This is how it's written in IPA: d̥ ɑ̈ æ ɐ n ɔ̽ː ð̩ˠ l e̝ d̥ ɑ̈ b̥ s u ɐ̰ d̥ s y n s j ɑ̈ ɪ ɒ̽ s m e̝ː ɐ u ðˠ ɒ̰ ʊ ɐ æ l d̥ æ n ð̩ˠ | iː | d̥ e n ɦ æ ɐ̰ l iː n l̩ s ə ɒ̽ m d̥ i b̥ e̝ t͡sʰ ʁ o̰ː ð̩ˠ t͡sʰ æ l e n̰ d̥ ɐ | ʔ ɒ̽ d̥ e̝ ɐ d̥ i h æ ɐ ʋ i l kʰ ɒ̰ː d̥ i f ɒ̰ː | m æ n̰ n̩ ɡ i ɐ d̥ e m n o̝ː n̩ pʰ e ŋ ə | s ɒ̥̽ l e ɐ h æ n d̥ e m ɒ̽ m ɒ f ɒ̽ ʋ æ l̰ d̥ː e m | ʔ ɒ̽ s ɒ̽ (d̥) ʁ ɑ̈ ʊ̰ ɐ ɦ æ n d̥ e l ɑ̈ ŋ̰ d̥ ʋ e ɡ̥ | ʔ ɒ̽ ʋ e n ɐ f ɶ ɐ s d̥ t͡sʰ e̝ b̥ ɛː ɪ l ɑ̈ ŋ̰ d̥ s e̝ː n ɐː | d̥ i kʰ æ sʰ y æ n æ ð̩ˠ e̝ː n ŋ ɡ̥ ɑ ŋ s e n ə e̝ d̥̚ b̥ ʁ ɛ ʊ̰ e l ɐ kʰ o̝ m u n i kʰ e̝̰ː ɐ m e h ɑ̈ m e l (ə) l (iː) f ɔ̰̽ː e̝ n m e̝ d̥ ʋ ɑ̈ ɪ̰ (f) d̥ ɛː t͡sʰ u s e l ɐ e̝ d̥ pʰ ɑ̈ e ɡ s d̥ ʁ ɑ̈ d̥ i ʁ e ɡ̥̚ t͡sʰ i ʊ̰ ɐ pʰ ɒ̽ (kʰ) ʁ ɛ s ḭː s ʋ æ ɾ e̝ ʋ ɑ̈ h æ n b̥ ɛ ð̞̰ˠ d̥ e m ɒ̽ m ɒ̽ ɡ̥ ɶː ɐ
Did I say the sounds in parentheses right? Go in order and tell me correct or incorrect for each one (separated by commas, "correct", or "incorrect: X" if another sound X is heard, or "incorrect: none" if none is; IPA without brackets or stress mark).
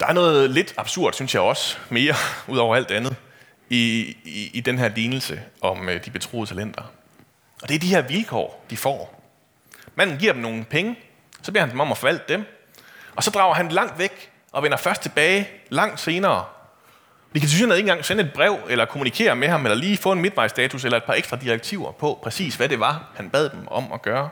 correct, incorrect: ɐ, correct, incorrect: s, incorrect: pʰ